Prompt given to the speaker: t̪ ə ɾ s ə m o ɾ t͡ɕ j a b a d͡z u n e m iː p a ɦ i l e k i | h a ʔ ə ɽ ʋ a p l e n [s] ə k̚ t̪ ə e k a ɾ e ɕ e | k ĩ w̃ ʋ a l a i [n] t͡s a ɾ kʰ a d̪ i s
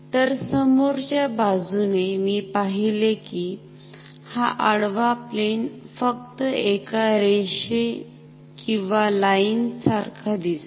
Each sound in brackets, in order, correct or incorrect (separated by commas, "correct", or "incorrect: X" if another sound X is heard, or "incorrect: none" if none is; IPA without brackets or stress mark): incorrect: f, correct